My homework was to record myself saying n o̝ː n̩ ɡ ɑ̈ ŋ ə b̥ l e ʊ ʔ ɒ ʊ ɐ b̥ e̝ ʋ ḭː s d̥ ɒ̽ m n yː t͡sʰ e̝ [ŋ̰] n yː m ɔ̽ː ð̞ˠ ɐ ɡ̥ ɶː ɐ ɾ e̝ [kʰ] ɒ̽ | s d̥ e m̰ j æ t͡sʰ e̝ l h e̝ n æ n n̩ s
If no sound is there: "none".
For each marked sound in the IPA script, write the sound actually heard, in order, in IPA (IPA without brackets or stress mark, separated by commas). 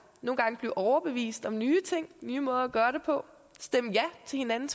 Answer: ŋ̰, pʰ